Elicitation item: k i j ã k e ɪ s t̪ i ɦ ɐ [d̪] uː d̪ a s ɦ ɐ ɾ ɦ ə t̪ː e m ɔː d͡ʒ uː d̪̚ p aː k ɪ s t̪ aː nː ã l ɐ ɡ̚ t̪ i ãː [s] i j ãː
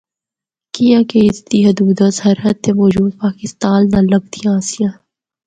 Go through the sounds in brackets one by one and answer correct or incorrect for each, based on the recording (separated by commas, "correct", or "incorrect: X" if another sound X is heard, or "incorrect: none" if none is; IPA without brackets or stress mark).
correct, correct